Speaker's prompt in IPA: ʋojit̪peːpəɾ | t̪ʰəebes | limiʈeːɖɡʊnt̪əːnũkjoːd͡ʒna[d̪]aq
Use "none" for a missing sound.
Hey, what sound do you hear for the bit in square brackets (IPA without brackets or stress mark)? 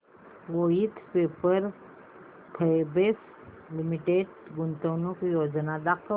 d̪